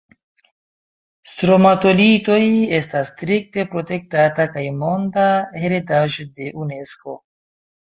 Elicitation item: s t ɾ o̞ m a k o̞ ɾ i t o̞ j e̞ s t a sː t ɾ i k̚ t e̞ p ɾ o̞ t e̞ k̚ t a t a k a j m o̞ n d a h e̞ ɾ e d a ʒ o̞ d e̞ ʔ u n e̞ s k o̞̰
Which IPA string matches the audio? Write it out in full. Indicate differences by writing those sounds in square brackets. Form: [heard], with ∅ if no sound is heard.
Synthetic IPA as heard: s t ɾ o̞ m a [t] o̞ [l] i t o̞ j e̞ s t a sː t ɾ i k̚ t e̞ p ɾ o̞ t e̞ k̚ t a t a k a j m o̞ n d a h e̞ ɾ e d a ʒ o̞ d e̞ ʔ u n e̞ s k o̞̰